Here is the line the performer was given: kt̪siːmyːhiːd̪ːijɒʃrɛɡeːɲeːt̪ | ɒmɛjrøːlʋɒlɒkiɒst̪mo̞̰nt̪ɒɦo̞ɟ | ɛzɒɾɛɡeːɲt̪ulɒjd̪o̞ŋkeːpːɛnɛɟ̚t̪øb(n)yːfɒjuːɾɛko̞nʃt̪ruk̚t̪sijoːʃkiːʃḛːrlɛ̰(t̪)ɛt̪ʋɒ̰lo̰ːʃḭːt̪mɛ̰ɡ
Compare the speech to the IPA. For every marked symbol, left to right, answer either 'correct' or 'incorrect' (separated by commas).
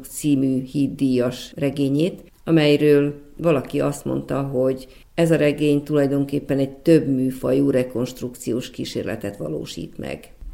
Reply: incorrect, correct